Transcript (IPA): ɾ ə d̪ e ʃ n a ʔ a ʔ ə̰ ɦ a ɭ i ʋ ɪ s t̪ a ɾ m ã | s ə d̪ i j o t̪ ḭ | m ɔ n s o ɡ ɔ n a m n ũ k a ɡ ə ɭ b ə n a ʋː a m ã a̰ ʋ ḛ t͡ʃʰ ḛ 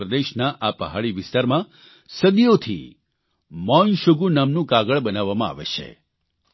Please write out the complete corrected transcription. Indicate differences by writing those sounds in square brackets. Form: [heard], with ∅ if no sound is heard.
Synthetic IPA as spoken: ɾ ə d̪ e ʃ n a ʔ a [p] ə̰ ɦ a ɭ i ʋ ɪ s t̪ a ɾ m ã | s ə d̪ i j o [t̪ʰ] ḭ | m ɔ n [ʃ] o ɡ [u] n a m n ũ k a ɡ ə ɭ b ə n a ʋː a m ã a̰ ʋ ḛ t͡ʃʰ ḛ